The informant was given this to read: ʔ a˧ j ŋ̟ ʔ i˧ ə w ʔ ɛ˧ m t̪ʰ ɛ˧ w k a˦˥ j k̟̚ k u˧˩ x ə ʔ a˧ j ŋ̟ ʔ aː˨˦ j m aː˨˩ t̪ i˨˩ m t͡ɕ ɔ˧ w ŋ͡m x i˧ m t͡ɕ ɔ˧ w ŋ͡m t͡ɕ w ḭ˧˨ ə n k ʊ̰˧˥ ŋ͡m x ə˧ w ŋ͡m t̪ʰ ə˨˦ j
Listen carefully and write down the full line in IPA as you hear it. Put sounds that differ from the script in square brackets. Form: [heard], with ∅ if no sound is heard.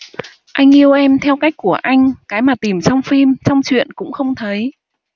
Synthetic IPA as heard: ʔ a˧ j ŋ̟ ʔ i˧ ə w ʔ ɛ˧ m t̪ʰ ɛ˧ w k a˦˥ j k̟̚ k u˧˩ [∅] ə ʔ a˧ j ŋ̟ [k] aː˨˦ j m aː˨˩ t̪ i˨˩ m t͡ɕ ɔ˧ w ŋ͡m [f] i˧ m t͡ɕ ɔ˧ w ŋ͡m t͡ɕ w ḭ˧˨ ə n k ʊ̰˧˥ ŋ͡m x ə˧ w ŋ͡m t̪ʰ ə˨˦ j